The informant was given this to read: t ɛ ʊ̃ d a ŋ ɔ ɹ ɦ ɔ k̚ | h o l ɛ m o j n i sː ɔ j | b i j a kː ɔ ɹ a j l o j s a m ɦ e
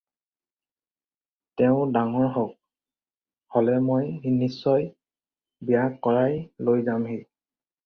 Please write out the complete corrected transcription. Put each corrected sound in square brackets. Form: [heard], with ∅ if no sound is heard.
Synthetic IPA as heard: t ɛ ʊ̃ d a ŋ ɔ ɹ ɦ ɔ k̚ | h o l ɛ m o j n i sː ɔ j | b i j a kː ɔ ɹ a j l o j [z] a m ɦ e